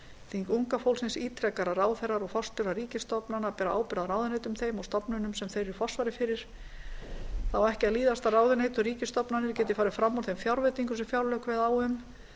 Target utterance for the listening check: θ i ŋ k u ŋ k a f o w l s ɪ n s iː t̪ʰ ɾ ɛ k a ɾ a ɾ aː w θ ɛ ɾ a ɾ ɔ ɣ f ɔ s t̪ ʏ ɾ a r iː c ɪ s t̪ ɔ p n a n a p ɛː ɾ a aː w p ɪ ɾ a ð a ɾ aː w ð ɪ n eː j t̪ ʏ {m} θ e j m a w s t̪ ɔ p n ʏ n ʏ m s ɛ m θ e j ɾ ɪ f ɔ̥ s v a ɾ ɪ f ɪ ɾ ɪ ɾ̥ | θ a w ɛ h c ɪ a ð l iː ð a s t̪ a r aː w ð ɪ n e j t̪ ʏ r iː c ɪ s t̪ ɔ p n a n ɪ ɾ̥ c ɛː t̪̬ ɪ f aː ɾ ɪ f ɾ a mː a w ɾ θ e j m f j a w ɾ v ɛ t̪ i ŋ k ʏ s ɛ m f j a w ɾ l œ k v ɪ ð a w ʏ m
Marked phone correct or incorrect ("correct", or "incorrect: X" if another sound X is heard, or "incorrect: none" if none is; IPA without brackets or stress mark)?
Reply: correct